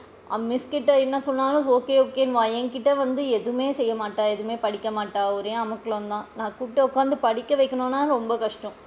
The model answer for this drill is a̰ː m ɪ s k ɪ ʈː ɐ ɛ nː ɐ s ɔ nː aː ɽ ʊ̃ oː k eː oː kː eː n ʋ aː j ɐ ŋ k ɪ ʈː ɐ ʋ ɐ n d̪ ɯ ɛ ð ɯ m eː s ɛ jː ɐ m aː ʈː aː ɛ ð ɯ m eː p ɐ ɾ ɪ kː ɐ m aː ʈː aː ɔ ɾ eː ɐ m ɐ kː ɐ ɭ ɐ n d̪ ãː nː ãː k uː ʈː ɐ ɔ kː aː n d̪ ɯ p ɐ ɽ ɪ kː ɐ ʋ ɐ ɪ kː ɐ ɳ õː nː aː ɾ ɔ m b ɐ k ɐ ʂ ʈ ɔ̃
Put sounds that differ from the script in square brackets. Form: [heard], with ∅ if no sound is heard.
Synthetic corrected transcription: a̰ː m ɪ s k ɪ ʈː ɐ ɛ nː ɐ s ɔ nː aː [l] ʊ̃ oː k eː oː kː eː n ʋ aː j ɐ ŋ k ɪ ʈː ɐ ʋ ɐ n d̪ ɯ ɛ ð ɯ m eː s ɛ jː ɐ m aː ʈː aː ɛ ð ɯ m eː p ɐ [ɽ] ɪ kː ɐ m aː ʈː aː ɔ ɾ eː ɐ m ɐ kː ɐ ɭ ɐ n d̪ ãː [n] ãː k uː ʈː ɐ ɔ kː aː n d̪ ɯ p ɐ ɽ ɪ kː ɐ ʋ ɐ ɪ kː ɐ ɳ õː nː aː ɾ ɔ m b ɐ k ɐ ʂ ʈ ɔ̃